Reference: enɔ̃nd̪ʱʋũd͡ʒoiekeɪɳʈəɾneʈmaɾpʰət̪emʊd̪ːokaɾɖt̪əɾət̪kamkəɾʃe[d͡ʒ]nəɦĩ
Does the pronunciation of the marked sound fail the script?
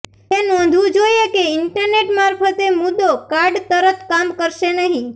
yes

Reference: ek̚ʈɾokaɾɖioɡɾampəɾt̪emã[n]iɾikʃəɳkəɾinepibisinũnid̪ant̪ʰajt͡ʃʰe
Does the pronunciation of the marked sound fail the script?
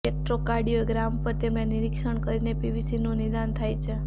no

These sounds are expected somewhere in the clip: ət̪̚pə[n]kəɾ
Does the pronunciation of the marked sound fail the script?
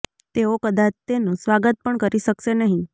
yes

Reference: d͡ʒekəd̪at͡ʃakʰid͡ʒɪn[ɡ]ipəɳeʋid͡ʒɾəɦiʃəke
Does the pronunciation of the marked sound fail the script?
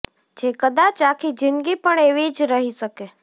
no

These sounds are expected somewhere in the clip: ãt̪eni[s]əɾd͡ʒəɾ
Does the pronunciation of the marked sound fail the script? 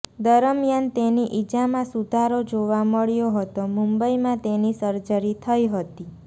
no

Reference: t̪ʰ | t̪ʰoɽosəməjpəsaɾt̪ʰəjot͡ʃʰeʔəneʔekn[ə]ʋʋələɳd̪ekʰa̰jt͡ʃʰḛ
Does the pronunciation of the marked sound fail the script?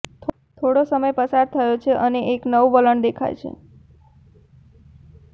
no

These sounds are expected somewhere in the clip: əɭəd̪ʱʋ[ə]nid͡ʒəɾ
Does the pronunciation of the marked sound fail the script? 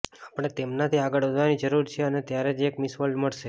yes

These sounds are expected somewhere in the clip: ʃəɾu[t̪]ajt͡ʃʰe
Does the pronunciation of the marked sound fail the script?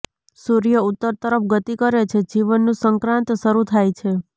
yes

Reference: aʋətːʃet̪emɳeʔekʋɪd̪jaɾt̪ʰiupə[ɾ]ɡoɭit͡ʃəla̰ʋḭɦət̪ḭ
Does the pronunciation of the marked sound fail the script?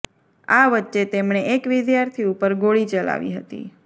no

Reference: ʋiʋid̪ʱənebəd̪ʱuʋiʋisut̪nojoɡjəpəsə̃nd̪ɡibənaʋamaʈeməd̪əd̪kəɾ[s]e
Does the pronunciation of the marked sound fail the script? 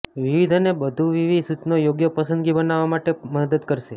yes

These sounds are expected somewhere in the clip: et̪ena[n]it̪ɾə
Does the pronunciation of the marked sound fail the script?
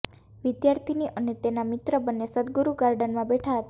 yes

